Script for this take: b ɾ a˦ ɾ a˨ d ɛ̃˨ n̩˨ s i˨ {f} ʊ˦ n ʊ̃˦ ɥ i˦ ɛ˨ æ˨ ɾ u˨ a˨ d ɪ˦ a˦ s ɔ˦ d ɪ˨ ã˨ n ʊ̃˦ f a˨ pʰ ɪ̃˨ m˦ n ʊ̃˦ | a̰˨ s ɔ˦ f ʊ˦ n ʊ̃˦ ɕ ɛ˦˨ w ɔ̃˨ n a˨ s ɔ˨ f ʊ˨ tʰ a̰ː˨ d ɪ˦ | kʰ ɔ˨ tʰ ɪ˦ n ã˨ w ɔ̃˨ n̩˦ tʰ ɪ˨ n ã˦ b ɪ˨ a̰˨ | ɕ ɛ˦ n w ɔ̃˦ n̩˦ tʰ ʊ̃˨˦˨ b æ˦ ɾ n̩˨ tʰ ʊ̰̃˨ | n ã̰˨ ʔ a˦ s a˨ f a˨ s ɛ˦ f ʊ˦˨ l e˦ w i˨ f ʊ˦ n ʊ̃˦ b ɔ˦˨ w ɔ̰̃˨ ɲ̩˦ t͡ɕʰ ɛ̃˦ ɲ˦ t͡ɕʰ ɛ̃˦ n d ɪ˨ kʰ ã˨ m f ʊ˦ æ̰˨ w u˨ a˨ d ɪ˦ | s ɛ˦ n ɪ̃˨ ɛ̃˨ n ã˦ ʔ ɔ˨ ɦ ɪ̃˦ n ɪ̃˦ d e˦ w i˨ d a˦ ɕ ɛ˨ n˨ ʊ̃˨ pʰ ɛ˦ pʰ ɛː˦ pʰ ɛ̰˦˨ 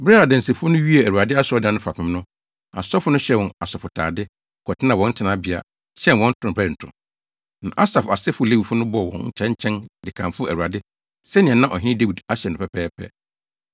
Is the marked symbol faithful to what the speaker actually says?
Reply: yes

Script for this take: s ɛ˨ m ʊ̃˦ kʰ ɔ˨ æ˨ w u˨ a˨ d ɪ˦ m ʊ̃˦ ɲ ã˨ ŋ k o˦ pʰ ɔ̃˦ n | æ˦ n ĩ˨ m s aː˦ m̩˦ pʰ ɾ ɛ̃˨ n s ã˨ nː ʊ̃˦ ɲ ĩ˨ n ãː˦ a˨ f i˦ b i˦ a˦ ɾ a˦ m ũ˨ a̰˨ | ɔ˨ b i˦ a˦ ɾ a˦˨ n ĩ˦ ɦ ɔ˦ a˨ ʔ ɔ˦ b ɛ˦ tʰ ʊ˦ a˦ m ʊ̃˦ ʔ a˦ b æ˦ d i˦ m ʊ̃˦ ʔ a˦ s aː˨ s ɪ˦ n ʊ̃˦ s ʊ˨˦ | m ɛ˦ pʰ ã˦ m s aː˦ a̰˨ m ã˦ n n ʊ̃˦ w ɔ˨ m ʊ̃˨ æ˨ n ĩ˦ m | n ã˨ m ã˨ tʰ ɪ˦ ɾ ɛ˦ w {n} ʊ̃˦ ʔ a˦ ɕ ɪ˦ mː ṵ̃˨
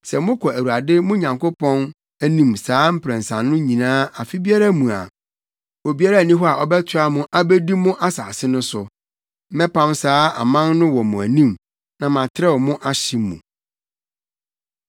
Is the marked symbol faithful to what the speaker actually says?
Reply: no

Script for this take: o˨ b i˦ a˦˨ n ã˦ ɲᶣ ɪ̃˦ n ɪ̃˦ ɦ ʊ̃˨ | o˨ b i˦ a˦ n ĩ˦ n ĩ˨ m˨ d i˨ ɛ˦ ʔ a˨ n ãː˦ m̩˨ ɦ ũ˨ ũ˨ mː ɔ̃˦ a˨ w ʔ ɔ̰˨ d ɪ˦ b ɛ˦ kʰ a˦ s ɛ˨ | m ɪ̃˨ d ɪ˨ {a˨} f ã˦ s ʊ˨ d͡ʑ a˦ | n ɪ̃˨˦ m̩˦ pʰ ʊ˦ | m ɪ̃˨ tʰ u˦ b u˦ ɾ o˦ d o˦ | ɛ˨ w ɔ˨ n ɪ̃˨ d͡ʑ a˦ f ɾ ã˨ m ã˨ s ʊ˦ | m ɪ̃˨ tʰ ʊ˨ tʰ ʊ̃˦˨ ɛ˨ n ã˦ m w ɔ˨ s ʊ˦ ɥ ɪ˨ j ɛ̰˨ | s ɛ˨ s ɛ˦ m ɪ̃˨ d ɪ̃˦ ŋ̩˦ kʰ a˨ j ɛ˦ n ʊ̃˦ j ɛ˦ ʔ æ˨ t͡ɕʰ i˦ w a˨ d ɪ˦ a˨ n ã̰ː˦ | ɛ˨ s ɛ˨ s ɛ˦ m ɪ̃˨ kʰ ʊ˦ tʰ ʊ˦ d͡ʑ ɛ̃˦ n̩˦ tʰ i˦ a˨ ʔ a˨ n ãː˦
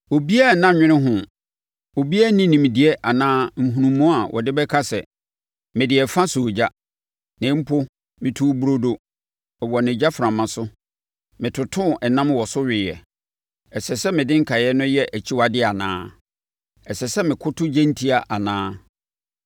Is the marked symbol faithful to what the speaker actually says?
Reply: no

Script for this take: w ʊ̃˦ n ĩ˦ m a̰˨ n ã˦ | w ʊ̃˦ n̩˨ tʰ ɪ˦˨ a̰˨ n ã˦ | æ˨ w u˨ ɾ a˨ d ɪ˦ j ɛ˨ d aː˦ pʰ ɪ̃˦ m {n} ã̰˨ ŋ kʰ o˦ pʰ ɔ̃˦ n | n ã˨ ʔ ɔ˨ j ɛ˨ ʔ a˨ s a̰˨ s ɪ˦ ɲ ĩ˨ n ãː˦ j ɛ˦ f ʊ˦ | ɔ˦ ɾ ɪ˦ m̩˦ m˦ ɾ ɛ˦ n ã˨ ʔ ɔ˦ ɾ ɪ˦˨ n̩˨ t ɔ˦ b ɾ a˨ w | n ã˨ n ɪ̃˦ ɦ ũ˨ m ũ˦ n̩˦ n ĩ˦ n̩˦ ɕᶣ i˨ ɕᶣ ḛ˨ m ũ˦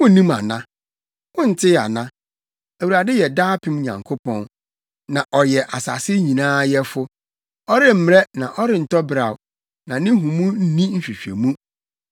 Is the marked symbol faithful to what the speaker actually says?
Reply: no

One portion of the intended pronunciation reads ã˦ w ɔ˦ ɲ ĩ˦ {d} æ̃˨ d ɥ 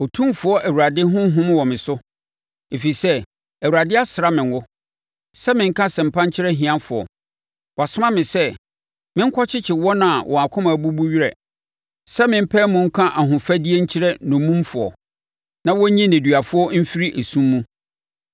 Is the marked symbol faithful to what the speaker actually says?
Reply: no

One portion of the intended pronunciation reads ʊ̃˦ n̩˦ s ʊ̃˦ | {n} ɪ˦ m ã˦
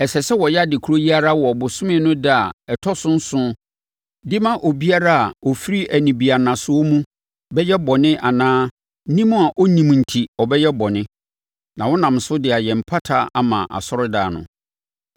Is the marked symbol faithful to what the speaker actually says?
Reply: no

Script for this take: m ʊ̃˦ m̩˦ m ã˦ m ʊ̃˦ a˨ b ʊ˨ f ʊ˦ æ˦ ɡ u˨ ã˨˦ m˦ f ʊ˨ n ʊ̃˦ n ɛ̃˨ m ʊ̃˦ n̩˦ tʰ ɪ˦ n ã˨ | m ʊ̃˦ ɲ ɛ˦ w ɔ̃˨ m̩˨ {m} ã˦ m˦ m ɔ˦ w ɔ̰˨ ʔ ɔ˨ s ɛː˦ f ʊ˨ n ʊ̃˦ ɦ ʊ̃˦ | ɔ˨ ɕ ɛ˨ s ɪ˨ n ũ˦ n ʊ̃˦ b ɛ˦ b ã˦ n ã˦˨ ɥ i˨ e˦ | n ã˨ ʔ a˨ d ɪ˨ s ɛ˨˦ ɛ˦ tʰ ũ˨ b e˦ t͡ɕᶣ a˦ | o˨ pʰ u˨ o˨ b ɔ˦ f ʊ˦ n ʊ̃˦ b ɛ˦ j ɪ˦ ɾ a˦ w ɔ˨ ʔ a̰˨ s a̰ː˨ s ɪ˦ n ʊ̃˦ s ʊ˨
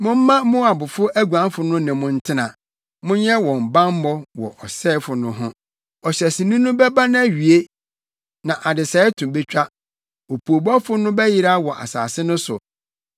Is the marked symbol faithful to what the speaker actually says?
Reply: no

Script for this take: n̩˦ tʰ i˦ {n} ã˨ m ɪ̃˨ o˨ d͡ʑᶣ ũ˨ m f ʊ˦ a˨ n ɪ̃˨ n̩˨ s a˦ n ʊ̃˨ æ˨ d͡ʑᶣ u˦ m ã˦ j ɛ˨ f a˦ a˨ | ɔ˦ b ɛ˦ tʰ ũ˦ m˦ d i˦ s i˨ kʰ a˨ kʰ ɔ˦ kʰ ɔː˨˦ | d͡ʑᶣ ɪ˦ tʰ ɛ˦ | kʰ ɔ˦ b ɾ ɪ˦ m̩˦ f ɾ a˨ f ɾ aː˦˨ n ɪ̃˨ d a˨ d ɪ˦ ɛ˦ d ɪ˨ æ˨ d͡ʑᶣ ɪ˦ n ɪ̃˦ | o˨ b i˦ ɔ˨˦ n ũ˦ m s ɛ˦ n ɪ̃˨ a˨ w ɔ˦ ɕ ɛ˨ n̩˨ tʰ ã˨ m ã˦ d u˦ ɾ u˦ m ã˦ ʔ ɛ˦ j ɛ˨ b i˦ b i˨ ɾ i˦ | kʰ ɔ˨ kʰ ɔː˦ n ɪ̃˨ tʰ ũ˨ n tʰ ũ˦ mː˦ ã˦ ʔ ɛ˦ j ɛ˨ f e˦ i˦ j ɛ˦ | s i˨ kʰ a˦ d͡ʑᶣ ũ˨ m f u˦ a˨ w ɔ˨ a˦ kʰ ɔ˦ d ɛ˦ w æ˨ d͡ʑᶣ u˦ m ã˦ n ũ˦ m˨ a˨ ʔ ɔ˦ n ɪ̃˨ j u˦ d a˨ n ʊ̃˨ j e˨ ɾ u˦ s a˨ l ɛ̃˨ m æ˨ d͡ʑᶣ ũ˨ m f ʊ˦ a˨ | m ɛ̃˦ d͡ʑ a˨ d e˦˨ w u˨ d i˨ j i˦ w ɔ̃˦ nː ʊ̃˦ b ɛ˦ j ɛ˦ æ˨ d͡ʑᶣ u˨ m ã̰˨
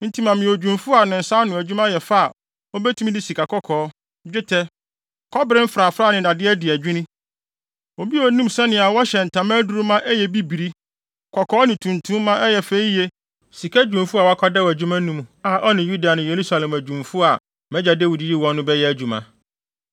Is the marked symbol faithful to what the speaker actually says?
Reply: no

